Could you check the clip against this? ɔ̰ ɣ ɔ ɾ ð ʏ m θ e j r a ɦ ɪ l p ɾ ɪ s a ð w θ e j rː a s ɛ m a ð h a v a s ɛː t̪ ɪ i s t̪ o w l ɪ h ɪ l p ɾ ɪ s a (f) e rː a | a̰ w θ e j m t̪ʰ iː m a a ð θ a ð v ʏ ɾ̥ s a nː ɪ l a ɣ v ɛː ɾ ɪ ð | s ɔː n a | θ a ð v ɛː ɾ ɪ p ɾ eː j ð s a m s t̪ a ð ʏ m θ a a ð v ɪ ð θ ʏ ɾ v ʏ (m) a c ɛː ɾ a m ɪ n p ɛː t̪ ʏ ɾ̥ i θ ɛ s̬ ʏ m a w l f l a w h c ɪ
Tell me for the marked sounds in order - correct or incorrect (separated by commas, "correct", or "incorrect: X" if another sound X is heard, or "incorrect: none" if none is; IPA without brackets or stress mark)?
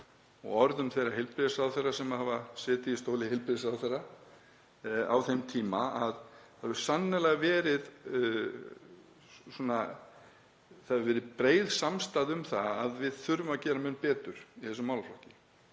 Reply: incorrect: θ, correct